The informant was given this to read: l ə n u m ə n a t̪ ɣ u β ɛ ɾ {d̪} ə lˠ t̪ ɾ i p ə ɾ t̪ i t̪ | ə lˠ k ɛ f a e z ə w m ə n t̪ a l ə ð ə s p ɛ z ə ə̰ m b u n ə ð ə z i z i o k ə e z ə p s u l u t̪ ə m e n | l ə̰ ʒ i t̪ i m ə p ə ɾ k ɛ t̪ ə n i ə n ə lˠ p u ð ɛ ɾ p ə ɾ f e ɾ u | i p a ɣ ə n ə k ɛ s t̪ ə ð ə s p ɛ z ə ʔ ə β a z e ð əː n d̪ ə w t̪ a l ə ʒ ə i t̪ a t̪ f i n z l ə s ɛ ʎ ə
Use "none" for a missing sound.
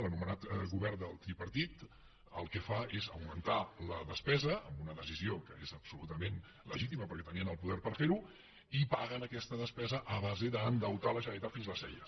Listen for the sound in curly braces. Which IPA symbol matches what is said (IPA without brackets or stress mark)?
d̪